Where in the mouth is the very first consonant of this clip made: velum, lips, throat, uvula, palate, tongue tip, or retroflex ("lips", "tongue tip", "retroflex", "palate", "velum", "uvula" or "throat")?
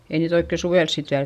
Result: tongue tip